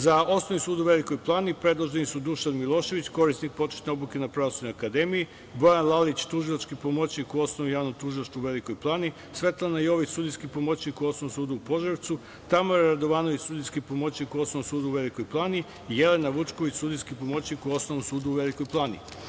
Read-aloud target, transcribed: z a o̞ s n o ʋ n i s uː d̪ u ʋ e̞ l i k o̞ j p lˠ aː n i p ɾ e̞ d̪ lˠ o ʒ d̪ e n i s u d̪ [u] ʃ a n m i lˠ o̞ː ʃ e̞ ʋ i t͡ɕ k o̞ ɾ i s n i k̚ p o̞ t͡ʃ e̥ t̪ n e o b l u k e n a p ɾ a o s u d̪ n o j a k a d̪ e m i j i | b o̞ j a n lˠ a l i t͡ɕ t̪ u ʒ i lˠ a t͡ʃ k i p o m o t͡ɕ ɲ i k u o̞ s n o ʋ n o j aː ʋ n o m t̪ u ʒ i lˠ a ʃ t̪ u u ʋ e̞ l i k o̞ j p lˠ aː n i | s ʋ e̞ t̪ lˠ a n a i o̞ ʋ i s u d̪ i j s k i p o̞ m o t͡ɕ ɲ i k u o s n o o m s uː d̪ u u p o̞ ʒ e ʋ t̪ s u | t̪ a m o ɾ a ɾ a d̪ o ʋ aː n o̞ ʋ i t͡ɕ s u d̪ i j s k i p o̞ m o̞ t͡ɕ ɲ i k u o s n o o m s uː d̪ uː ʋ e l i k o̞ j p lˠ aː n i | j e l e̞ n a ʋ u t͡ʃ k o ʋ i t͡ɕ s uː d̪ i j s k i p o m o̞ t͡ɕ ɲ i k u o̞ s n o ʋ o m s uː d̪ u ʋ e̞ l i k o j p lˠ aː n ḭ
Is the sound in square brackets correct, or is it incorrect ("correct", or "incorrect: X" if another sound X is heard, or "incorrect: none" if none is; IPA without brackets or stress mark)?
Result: correct